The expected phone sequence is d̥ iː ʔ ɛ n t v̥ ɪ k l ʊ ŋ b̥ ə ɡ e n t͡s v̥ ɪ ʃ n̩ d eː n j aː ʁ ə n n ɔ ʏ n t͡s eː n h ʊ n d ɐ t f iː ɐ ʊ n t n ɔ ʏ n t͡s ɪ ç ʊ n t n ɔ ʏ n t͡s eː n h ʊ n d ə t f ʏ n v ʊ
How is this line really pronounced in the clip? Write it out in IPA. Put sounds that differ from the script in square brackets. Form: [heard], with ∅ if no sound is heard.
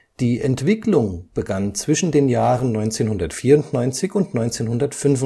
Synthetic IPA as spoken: d̥ iː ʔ ɛ n t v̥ ɪ k l ʊ ŋ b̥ ə ɡ [a] n t͡s v̥ ɪ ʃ n̩ d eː n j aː ʁ ə n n ɔ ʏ n t͡s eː n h ʊ n d ɐ t f iː ɐ ʊ n t n ɔ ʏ n t͡s ɪ ç ʊ n t n ɔ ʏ n t͡s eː n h ʊ n d [ɐ] t f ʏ n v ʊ